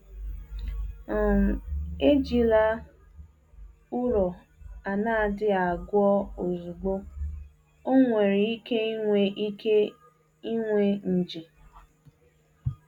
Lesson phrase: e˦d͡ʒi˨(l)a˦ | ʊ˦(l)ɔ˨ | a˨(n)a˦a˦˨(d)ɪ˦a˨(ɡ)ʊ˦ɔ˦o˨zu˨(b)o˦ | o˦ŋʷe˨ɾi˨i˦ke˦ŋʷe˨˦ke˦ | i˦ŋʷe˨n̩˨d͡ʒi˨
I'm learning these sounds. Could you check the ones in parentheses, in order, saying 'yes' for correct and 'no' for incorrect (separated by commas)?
yes, no, yes, yes, yes, no